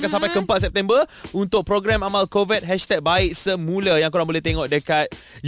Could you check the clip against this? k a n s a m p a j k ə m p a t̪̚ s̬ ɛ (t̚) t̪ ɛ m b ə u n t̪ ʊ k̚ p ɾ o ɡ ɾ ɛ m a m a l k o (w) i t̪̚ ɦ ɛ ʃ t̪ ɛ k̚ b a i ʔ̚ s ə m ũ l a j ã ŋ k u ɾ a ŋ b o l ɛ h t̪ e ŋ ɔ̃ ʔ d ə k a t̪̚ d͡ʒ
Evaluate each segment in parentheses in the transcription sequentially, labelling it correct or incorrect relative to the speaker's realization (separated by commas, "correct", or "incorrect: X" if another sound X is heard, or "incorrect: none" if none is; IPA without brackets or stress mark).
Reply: incorrect: p̚, incorrect: v